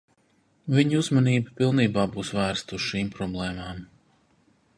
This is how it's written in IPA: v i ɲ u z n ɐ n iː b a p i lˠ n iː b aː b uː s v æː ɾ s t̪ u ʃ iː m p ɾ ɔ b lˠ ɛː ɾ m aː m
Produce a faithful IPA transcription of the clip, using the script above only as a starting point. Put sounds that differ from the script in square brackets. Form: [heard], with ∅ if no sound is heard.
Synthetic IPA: v i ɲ u z [m] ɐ n iː b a p i lˠ n iː b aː b uː s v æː ɾ s t̪ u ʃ iː m p ɾ ɔ b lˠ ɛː [∅] m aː m